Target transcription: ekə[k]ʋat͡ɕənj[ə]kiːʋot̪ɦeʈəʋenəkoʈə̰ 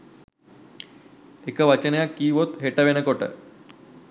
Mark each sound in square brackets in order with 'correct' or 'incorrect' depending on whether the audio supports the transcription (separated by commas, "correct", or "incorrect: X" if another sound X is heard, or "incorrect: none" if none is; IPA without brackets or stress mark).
incorrect: none, incorrect: a